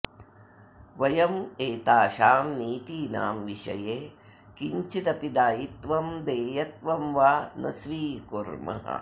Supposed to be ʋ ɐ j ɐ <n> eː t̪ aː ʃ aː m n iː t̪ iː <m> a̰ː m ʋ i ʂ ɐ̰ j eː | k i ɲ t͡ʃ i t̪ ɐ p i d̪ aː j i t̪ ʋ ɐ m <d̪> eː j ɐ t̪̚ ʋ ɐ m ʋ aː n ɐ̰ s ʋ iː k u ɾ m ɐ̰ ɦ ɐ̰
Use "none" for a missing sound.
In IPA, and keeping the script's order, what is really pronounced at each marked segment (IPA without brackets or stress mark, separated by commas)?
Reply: m, n, d̪